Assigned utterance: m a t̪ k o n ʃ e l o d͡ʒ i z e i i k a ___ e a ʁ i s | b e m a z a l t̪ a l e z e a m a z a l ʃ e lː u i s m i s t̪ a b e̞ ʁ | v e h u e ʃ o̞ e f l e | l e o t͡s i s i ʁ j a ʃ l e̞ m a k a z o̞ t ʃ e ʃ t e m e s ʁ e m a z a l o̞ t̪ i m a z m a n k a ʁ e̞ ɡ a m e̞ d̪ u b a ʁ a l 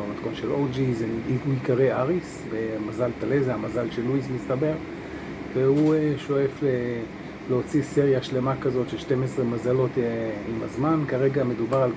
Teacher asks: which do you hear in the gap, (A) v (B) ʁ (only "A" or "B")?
B